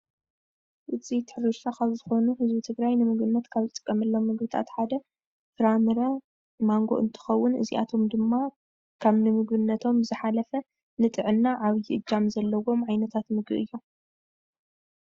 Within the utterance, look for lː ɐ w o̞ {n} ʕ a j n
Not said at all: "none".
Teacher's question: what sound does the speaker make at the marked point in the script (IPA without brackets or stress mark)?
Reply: m